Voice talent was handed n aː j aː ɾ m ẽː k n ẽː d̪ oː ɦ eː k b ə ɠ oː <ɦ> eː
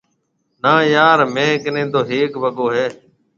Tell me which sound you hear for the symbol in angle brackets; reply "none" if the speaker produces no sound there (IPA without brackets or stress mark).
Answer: ɦ